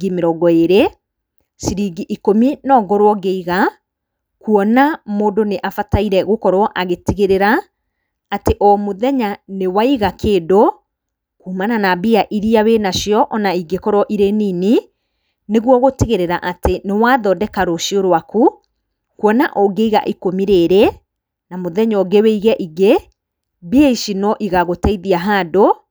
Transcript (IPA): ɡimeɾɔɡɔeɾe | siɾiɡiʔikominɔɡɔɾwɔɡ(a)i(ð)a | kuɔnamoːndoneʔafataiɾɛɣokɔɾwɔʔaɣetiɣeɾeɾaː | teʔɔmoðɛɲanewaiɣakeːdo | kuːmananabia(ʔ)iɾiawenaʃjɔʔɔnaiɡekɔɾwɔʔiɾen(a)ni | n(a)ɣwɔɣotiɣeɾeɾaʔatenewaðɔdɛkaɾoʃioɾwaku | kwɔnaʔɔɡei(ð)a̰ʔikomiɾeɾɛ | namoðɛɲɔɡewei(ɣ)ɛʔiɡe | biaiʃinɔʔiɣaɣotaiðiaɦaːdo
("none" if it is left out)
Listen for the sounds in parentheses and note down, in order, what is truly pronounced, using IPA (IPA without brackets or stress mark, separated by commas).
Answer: e, ɣ, ʔ, i, e, ɣ, ɣ